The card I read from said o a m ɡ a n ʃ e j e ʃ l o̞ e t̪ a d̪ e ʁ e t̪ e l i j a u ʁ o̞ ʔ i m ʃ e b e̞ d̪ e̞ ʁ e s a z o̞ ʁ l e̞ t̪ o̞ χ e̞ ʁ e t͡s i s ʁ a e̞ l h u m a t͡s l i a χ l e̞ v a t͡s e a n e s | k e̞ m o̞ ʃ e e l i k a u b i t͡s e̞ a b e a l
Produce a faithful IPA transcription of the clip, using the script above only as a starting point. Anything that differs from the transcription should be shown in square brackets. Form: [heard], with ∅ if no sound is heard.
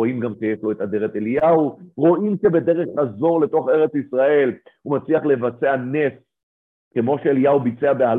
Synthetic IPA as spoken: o [i] m ɡ a [m] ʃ e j e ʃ l o̞ e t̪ a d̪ e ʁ e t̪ e l i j a u ʁ o̞ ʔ i m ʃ e b e̞ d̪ e̞ ʁ e [χ] a z o̞ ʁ l e̞ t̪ o̞ χ e̞ ʁ e t͡s i s ʁ a e̞ l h u m a t͡s l i a χ l e̞ v a t͡s e a n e s | k e̞ m o̞ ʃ e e l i [∅] a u b i t͡s e̞ a b e a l